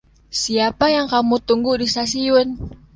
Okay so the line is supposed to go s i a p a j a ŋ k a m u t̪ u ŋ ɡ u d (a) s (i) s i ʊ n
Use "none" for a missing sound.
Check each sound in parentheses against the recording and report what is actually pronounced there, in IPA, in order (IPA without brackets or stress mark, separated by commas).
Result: i, a